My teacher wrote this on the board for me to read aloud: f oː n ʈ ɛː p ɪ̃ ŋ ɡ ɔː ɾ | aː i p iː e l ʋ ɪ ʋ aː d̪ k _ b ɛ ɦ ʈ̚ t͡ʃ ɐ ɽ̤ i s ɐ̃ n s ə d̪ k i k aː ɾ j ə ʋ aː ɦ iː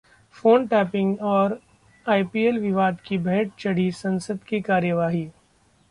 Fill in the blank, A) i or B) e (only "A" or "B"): A